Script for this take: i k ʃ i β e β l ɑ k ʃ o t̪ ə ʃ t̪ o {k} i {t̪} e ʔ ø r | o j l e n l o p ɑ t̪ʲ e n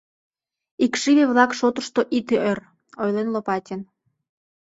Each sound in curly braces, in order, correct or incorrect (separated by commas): incorrect, correct